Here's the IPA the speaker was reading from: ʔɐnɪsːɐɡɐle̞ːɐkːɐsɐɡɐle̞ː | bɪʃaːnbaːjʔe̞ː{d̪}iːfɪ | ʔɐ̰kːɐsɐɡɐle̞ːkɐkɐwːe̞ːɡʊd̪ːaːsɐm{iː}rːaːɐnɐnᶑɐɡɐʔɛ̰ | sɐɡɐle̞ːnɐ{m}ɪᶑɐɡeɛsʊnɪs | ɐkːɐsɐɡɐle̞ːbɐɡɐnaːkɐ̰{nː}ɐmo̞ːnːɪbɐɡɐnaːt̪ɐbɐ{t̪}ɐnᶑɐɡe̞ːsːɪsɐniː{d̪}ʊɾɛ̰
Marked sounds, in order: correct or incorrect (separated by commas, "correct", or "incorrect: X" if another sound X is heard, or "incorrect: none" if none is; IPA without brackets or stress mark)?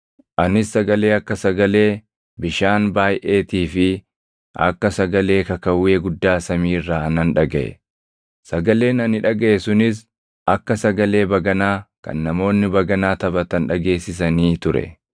incorrect: t̪, correct, incorrect: n, correct, correct, incorrect: t̪